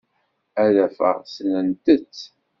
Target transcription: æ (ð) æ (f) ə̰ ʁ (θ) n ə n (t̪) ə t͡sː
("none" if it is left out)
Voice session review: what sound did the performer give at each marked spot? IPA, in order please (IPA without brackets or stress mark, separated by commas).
ð, f, s, t̪